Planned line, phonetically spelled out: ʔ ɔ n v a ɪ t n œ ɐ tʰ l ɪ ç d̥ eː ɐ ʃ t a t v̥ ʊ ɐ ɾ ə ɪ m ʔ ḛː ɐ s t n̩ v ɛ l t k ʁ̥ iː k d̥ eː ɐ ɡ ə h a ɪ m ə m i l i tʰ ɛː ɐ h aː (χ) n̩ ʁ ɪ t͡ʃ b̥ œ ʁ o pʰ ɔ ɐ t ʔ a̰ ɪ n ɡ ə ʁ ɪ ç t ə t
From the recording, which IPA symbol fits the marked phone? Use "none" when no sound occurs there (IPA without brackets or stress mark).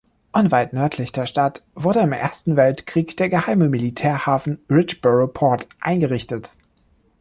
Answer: f